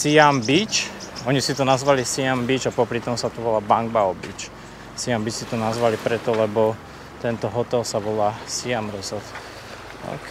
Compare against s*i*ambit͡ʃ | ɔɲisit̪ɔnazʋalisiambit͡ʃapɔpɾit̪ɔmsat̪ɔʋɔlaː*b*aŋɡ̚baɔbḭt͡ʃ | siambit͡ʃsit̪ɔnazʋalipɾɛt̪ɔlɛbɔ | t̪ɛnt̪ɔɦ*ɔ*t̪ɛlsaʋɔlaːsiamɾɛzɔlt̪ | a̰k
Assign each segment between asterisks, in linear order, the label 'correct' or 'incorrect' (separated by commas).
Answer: correct, correct, correct